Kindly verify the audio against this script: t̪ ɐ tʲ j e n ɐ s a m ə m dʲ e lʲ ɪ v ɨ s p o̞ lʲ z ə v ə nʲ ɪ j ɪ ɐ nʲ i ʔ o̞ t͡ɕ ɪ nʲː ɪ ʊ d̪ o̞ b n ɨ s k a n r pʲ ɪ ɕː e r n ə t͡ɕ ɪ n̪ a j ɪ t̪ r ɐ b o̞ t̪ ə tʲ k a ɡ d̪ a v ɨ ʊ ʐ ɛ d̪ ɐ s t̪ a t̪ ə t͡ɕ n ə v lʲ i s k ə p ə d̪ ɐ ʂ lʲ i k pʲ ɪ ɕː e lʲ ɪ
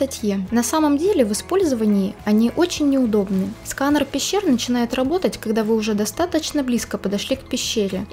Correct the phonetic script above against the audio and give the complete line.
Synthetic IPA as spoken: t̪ ɐ tʲ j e n ɐ s a m ə m dʲ e lʲ ɪ v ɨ s p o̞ lʲ z ə v ə nʲ ɪ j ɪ ɐ nʲ i ʔ o̞ t͡ɕ ɪ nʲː ɪ ʊ d̪ o̞ b n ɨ s k a n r pʲ ɪ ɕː e r n ə t͡ɕ ɪ n̪ a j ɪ t̪ r ɐ b o̞ t̪ ə tʲ k ɐ ɡ d̪ a v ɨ ʊ ʐ ɛ d̪ ɐ s t̪ a t̪ ə t͡ɕ n ə b lʲ i s k ə p ə d̪ ɐ ʂ lʲ i k pʲ ɪ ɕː e ɾʲ ɪ